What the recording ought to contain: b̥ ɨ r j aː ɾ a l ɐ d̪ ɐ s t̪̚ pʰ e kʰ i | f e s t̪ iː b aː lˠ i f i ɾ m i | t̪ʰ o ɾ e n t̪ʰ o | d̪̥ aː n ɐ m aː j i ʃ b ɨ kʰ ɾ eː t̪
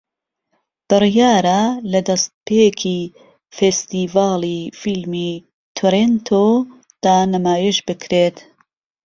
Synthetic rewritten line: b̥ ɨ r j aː ɾ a l ɐ d̪ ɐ s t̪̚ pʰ e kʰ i | f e s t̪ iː v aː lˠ i f i l m i | t̪ʰ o ɾ e n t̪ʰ o | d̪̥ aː n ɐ m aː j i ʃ b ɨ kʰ ɾ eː t̪

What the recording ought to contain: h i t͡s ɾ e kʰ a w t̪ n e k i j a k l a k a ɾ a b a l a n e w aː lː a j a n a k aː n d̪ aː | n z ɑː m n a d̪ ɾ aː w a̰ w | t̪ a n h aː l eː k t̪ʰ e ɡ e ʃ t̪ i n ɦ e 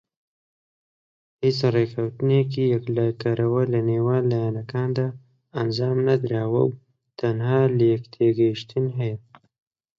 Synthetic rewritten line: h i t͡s ɾ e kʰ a w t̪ n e k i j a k l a k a ɾ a w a l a n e w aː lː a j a n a k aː n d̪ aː | n z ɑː m n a d̪ ɾ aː w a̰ w | t̪ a n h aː l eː k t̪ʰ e ɡ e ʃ t̪ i n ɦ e

